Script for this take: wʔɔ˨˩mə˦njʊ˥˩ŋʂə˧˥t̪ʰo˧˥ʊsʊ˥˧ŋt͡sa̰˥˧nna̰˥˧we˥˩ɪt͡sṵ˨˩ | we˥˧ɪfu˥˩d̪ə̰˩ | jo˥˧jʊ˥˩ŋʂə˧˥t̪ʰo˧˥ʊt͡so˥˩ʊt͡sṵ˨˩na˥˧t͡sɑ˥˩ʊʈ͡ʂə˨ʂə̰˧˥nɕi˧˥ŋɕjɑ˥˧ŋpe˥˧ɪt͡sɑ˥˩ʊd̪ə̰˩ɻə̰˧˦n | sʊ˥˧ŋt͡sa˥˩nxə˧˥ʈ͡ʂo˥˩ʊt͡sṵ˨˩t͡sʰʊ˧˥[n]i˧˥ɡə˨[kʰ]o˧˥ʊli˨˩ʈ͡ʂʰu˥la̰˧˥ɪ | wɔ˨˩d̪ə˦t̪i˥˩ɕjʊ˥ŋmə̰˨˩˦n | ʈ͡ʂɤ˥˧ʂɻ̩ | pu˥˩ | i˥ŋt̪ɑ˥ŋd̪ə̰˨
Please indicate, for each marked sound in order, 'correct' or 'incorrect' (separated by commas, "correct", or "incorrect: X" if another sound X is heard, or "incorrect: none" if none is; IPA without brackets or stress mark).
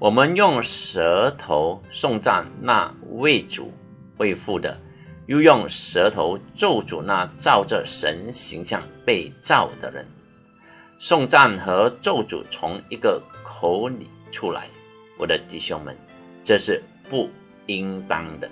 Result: incorrect: ŋ, correct